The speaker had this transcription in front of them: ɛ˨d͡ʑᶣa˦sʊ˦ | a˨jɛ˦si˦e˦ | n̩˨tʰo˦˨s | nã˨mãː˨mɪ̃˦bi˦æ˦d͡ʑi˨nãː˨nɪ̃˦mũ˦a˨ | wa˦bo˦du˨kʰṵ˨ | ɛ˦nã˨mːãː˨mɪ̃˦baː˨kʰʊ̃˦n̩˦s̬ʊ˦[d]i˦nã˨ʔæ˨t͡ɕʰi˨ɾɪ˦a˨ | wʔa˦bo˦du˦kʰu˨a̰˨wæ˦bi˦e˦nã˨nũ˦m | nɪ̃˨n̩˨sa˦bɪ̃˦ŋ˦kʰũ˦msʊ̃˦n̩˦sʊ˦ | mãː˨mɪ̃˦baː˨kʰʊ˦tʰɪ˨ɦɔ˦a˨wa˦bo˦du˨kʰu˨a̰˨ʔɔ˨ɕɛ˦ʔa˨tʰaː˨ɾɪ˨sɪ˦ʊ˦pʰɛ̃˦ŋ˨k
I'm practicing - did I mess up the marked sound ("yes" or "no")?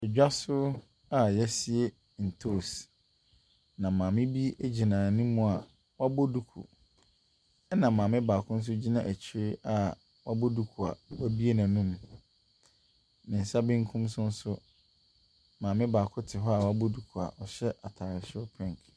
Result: yes